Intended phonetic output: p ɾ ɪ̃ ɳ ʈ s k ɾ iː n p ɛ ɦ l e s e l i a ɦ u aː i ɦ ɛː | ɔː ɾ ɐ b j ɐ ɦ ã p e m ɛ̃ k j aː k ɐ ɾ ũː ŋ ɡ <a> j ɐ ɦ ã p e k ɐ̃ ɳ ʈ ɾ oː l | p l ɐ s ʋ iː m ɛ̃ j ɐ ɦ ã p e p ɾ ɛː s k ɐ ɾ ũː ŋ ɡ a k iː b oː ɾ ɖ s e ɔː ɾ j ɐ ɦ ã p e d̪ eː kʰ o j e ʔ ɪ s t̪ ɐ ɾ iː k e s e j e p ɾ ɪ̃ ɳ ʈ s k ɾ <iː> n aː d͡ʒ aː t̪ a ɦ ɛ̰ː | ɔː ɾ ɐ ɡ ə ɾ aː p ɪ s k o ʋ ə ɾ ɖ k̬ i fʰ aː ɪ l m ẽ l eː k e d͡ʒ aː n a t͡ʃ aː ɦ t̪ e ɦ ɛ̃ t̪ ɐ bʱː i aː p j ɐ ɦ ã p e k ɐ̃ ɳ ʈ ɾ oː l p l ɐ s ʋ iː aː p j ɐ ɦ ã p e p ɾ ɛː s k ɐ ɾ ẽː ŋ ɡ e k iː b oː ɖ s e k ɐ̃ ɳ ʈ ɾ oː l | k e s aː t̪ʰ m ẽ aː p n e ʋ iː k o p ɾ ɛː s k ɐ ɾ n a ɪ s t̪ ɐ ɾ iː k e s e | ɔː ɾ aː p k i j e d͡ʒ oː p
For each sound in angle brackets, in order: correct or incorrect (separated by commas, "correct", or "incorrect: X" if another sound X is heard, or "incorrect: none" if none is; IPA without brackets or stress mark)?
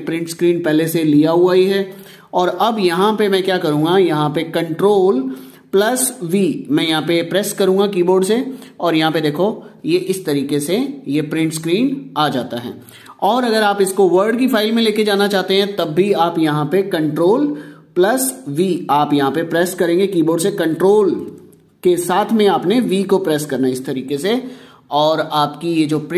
correct, correct